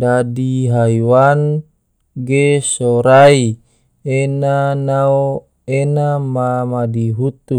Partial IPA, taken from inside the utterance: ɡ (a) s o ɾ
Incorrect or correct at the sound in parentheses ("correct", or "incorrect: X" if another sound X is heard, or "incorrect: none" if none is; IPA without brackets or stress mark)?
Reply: incorrect: e